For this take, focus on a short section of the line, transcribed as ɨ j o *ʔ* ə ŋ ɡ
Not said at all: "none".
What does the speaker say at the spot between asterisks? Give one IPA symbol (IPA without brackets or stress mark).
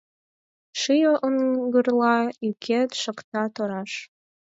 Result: ʔ